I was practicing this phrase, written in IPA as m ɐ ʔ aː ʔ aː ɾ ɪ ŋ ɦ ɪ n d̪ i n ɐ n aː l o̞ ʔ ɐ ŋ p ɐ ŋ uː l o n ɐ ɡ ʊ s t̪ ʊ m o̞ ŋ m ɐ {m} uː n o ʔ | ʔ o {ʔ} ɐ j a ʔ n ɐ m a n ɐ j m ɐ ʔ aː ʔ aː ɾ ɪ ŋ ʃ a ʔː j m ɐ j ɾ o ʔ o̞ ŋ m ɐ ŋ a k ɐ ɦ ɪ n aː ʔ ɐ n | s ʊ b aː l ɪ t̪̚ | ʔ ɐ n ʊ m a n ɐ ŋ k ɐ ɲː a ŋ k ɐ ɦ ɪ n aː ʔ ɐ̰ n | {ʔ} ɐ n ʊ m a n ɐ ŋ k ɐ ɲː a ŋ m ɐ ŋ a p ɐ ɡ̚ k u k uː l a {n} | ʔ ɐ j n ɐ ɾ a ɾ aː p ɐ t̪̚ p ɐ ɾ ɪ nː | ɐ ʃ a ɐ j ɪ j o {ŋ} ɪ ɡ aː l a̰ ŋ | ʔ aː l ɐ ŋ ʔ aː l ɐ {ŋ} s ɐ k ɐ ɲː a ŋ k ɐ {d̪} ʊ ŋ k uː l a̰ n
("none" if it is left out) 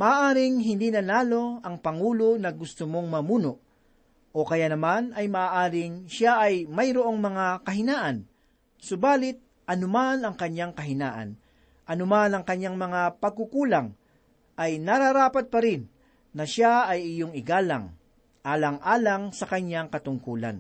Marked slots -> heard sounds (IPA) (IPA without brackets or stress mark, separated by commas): m, k, ʔ, ŋ, ŋ, ŋ, t̪